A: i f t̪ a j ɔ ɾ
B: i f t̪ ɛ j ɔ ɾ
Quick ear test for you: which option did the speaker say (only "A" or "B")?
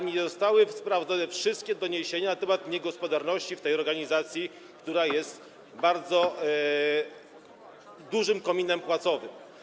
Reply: B